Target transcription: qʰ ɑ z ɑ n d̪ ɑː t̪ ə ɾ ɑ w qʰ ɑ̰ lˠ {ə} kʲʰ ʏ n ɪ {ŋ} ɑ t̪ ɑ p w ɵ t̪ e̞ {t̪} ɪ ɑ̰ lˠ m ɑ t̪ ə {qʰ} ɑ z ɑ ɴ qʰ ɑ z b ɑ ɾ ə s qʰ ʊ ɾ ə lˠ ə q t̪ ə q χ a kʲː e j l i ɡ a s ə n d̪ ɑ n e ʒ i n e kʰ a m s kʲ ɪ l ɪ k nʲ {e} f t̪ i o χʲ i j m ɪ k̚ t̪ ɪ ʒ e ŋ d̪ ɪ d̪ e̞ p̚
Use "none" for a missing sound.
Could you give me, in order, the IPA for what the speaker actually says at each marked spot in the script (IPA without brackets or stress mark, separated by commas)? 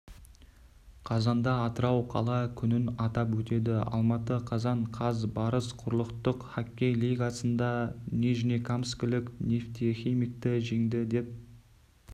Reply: ɑ, n, d̪, qʰ, e